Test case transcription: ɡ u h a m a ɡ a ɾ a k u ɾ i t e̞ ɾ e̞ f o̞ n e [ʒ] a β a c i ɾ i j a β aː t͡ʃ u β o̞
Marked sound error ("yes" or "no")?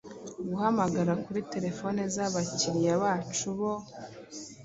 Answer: yes